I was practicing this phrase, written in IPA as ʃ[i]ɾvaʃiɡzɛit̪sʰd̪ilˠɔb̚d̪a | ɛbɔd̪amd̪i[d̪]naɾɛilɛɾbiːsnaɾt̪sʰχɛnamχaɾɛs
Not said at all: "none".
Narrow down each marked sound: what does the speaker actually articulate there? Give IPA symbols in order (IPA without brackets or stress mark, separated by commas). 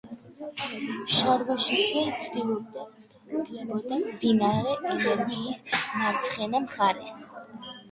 a, none